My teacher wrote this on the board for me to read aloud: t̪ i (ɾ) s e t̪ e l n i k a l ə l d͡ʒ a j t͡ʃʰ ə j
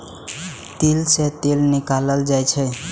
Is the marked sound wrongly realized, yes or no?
yes